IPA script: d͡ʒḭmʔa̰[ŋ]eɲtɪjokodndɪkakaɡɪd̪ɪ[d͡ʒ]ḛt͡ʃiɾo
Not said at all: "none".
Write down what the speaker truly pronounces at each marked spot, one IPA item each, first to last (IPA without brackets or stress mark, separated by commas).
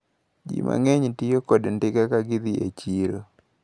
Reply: ŋ, none